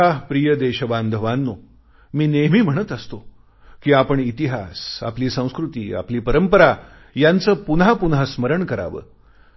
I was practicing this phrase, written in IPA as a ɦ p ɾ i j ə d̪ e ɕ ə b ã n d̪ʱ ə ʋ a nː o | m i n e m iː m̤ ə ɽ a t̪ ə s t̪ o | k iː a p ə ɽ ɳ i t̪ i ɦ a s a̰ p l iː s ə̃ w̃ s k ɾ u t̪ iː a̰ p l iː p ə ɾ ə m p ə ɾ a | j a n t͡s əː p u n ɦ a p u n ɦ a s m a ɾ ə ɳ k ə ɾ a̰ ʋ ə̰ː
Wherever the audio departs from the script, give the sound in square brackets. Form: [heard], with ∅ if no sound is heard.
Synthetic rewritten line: a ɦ p ɾ i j ə d̪ e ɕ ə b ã n d̪ʱ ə ʋ a nː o | m [iː] n e m iː m̤ ə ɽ [ə] t̪ ə s t̪ o | k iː a p ə [∅] ɳ i t̪ i ɦ a s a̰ p l iː s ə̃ w̃ s k ɾ u t̪ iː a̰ p l iː p ə ɾ ə m p ə ɾ a | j a n t͡s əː p u n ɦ a p u n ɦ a s m [ə] ɾ ə ɳ k ə ɾ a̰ ʋ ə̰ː